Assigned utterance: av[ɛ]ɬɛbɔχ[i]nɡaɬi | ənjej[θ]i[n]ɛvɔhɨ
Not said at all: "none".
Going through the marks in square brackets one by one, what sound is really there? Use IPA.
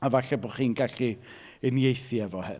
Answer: a, iː, θ, none

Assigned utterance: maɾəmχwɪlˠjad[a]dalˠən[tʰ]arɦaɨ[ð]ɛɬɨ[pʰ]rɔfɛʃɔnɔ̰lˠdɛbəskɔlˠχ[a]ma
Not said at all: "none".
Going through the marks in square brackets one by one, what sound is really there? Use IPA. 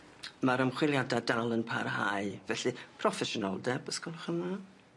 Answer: a, pʰ, v, pʰ, ə

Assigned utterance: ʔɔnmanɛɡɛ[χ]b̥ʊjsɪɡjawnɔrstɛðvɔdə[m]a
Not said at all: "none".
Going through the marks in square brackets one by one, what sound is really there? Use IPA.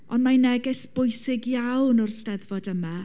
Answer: s, m

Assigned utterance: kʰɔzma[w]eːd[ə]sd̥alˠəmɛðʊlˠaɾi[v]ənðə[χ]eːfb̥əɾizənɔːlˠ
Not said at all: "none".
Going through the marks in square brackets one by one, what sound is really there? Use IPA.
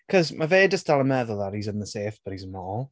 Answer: v, ə, z, s

